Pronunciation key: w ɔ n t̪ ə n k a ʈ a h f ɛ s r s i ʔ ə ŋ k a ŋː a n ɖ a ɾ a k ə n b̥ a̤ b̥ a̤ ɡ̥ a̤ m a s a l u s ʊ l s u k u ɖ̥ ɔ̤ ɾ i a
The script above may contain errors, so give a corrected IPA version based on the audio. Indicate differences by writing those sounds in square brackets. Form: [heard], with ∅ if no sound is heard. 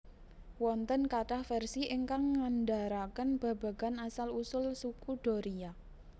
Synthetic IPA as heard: w ɔ n t̪ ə n k a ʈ a h f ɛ [∅] r s i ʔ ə ŋ k a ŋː a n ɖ a ɾ a k ə n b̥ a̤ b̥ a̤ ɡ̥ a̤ [n] a s a l u s ʊ l s u k u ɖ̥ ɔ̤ ɾ i a